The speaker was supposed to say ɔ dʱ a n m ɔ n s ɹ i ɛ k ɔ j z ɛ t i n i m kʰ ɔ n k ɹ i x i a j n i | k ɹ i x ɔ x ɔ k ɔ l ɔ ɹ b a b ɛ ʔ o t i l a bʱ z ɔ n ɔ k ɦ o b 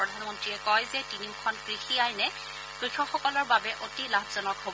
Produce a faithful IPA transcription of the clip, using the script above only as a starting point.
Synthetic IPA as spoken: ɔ dʱ a n m ɔ n t ɹ i ɛ k ɔ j z ɛ t i n i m kʰ ɔ n k ɹ i x i a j n ɛ | k ɹ i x ɔ x ɔ k ɔ l ɔ ɹ b a b ɛ ʔ o t i l a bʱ z ɔ n ɔ k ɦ o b